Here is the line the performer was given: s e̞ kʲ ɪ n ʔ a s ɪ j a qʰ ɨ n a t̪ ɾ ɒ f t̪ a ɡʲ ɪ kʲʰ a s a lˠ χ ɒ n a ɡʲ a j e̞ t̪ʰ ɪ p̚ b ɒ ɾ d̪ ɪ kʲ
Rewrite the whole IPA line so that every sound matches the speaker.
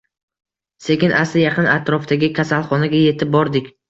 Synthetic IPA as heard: s e̞ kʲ ɪ n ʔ a s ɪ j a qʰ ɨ n a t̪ ɾ ɒ f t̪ a ɡʲ ɪ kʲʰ a s a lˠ χ ɒ n a ɡʲ a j e̞ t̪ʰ ɪ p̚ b ɒ ɾ d̪ ɪ kʲ